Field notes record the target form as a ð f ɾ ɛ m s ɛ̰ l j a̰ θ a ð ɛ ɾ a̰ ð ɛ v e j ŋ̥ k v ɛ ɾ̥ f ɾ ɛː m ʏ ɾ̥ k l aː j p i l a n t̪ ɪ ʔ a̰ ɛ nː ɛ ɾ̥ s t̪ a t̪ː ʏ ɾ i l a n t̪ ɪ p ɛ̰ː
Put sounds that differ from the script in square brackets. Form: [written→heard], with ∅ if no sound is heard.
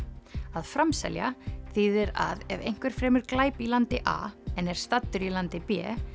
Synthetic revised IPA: a ð f ɾ [ɛ→a] m s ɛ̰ l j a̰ θ [a→i] ð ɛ ɾ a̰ ð ɛ v e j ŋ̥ k v ɛ ɾ̥ f ɾ ɛː m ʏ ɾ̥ k l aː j p i l a n t̪ ɪ ʔ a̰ ɛ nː ɛ ɾ̥ s t̪ a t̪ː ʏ ɾ i l a n t̪ ɪ p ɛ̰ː